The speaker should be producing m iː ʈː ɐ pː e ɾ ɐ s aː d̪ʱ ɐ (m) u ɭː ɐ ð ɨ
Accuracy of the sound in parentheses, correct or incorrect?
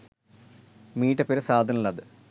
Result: incorrect